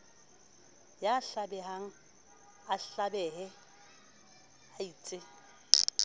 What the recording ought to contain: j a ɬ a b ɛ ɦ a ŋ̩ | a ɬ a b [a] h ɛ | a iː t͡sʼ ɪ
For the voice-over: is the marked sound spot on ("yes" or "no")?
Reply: no